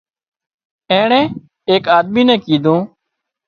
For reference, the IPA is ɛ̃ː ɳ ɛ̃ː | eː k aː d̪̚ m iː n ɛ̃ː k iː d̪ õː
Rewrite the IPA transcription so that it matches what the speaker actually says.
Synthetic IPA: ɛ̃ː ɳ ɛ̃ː | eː k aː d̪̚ m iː n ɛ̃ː k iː d̪ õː